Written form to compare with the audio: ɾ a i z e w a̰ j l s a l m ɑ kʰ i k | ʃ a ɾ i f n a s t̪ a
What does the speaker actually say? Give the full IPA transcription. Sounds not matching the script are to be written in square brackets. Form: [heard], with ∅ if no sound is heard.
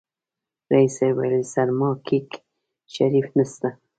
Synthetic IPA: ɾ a i [s] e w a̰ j l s a [ɾ] m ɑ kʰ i k | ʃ a ɾ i f n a s t̪ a